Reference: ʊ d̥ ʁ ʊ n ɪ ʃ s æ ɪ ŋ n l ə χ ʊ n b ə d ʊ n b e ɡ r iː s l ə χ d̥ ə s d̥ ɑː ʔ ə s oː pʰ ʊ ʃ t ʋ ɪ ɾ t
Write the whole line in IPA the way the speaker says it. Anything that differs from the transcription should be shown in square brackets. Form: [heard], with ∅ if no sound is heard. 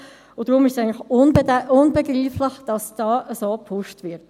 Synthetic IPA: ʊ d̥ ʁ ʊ [m] ɪ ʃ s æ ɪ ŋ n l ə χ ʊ n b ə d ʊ n b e ɡ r iː [f] l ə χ d̥ [ɑ] s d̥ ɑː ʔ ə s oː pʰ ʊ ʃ t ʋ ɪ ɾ t